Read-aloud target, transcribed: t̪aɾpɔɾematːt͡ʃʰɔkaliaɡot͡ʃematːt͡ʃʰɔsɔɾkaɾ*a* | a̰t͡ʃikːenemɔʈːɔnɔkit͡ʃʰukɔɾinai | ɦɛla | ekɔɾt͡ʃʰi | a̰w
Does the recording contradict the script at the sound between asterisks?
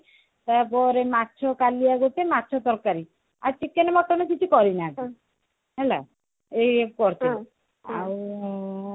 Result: yes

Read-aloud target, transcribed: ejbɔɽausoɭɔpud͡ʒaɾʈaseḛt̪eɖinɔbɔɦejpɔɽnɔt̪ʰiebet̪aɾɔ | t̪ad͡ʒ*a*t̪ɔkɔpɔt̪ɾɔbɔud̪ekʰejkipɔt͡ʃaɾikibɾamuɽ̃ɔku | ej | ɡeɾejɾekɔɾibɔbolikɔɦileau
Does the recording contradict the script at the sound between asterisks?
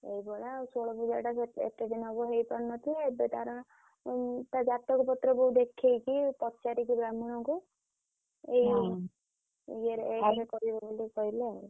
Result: no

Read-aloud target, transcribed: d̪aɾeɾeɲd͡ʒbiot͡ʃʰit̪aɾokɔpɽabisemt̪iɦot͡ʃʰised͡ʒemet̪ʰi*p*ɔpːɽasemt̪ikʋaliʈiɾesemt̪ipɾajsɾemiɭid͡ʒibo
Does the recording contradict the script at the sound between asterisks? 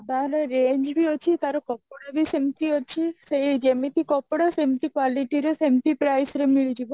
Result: yes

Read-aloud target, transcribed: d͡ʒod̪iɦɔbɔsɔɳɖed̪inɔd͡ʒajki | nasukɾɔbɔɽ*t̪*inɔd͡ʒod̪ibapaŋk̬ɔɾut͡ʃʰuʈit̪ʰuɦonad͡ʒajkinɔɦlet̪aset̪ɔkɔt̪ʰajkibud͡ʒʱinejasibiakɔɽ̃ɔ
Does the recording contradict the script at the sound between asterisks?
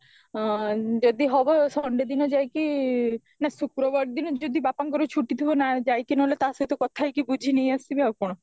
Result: yes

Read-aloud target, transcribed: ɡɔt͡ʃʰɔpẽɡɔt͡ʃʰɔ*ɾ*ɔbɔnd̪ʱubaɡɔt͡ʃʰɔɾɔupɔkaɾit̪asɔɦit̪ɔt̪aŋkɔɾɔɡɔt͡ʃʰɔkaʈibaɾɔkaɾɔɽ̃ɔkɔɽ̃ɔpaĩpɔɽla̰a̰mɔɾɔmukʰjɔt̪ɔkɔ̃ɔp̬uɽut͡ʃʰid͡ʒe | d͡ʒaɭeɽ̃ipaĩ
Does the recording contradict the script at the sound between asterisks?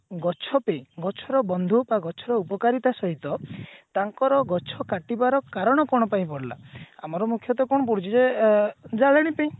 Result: no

